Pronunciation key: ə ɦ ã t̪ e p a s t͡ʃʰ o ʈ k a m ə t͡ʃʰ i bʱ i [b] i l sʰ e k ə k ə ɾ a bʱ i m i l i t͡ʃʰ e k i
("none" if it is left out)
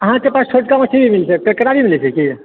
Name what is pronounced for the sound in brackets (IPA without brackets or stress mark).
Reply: m